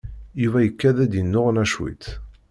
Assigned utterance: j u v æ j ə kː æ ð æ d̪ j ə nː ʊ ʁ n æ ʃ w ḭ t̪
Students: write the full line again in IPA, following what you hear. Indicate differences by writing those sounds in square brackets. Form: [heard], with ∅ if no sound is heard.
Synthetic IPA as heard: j u v æ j ə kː æ ð æ d̪ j ə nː ʊ ʁ n æ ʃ w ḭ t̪